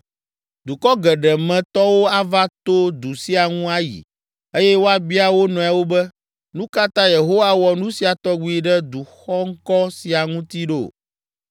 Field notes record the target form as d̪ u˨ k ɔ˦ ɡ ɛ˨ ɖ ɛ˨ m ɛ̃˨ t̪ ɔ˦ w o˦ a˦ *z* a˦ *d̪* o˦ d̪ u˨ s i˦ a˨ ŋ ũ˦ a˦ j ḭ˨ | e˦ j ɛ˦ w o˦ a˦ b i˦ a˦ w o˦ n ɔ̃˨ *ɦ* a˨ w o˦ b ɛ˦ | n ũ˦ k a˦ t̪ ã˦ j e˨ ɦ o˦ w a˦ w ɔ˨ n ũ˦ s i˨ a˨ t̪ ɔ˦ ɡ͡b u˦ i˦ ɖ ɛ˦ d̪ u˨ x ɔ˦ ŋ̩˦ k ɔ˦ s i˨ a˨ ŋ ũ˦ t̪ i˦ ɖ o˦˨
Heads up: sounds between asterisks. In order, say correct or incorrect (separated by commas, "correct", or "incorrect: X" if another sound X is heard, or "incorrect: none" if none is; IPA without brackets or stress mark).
incorrect: v, incorrect: t̪, incorrect: none